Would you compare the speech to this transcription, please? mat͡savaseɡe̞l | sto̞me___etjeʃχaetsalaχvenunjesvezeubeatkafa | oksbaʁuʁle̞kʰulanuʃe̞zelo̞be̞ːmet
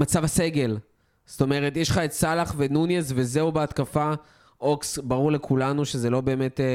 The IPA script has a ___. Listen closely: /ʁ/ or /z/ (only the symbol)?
ʁ